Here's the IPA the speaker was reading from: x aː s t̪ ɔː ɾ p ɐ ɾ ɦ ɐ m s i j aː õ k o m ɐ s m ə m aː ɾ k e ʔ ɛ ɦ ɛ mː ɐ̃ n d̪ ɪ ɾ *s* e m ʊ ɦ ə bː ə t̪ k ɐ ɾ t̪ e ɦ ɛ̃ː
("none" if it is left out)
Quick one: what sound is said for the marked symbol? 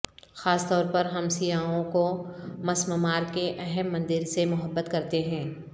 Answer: s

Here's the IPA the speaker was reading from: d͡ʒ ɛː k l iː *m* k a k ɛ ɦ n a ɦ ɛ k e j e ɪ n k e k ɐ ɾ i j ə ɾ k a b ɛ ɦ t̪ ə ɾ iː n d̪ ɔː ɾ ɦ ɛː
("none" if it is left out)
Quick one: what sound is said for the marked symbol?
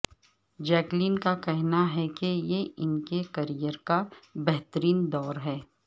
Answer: n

